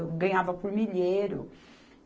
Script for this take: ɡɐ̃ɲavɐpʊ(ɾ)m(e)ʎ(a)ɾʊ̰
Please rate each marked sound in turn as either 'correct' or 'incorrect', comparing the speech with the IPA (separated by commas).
correct, incorrect, incorrect